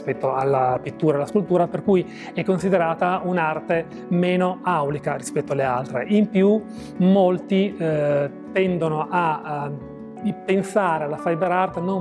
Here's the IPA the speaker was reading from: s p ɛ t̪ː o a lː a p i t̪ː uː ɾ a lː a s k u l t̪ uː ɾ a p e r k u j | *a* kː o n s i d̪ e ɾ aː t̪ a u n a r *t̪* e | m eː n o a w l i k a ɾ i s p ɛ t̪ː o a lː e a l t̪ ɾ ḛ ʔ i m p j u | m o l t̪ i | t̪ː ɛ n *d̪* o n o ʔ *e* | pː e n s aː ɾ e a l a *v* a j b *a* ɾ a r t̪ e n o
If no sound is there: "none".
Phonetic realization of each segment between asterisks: ɛ, t̪, d̪, a, f, e

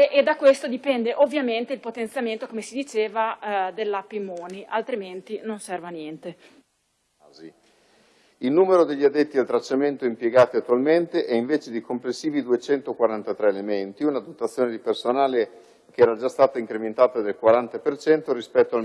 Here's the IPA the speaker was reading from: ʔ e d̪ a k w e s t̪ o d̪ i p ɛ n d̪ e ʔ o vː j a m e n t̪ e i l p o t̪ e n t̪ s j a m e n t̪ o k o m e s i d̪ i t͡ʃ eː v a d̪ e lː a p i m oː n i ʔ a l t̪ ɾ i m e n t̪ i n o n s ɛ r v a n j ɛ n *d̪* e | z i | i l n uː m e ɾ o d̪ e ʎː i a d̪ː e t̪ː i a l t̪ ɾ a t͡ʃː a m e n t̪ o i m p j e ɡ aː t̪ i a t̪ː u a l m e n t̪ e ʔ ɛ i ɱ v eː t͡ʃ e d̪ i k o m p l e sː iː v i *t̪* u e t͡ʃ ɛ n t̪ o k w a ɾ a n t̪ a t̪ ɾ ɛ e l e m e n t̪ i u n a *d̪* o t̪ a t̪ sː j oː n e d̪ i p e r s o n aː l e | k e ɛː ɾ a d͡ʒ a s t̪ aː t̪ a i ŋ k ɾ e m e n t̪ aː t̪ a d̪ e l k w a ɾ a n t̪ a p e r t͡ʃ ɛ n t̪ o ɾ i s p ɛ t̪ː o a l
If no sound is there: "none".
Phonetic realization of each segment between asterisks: t̪, d̪, d̪

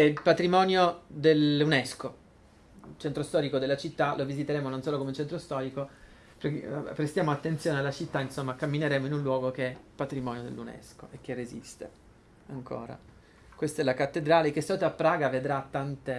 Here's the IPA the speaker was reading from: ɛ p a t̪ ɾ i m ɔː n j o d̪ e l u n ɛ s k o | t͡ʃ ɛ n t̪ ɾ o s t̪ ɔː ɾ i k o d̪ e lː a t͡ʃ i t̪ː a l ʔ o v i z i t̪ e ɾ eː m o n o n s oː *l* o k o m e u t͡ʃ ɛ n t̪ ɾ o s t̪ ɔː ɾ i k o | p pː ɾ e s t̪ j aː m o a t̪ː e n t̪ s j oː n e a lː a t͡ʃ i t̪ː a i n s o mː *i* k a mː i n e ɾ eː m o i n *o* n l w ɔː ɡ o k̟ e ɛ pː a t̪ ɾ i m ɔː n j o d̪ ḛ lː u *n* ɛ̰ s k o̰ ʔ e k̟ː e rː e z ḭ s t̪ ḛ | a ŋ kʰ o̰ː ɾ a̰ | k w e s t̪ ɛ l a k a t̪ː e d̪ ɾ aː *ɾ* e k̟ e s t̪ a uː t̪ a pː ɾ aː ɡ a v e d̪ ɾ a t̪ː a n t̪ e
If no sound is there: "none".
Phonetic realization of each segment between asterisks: l, a, u, n, l

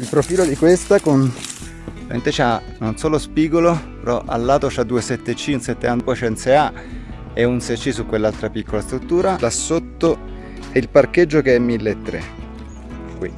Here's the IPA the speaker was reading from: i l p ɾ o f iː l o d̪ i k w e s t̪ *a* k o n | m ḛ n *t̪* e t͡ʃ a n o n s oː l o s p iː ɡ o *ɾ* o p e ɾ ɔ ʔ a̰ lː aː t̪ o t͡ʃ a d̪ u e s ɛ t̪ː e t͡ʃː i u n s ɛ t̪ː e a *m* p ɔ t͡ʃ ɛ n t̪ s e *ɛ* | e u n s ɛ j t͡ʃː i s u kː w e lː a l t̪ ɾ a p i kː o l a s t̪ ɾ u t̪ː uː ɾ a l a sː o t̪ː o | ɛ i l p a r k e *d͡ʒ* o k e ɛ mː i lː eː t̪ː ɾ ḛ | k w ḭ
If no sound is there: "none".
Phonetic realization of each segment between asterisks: a, t̪, l, n, a, d͡ʒː

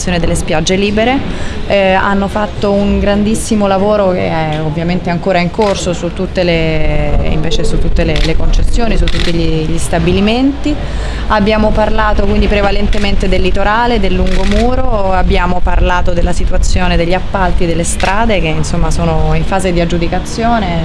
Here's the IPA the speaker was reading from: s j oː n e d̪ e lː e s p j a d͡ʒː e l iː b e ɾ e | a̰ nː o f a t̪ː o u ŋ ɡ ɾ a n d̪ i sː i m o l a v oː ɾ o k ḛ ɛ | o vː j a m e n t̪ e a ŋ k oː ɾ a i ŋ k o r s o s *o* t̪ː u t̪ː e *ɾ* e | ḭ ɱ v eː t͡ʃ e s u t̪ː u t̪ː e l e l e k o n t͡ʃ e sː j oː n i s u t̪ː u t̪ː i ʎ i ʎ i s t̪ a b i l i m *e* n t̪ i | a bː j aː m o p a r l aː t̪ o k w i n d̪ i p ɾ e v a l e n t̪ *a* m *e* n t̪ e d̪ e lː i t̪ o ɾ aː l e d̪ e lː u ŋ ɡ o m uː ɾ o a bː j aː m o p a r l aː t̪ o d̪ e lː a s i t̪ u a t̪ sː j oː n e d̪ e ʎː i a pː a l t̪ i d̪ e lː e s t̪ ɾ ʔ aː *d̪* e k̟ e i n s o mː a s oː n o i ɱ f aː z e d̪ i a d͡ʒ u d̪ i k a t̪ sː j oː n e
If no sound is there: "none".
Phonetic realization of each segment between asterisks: u, l, e, e, e, d̪

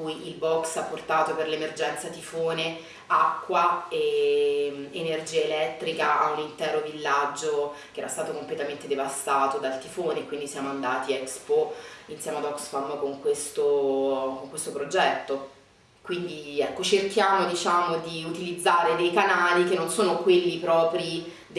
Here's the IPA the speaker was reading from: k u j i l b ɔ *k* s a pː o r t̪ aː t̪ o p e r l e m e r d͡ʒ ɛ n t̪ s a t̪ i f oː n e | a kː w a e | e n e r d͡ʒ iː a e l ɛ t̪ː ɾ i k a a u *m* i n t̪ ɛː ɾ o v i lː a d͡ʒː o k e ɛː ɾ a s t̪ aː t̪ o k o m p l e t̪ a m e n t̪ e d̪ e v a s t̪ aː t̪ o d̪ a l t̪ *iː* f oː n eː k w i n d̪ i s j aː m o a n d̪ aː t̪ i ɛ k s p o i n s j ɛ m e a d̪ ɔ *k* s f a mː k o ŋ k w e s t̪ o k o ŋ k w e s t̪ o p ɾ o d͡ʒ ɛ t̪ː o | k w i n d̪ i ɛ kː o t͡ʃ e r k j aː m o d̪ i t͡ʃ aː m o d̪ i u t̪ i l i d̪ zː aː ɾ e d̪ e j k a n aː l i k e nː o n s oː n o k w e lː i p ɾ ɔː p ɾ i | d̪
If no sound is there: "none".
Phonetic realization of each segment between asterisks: k, n, i, k

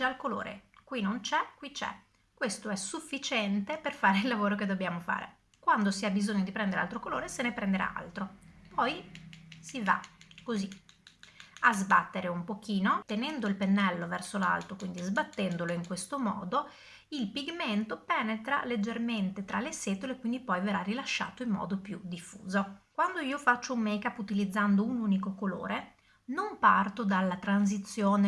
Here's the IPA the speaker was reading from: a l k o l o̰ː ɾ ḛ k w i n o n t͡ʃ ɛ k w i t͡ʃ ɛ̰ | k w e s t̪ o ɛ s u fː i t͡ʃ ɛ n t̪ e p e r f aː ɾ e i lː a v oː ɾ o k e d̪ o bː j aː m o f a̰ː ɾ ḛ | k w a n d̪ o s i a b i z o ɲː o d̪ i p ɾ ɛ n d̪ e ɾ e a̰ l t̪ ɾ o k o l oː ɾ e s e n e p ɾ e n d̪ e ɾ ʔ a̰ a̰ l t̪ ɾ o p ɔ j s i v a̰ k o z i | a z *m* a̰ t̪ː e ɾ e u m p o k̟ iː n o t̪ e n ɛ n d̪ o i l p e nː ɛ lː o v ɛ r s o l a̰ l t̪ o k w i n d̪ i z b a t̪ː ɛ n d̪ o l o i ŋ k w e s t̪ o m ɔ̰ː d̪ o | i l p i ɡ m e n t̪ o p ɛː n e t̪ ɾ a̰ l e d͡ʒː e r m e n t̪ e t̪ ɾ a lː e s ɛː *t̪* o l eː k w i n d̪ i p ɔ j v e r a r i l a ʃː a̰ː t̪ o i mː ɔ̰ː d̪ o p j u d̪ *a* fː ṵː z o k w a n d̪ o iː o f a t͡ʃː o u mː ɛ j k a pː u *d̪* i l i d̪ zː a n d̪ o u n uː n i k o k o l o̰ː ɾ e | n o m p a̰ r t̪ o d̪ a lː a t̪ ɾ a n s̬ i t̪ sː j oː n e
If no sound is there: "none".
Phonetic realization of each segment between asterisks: b, t̪, i, t̪

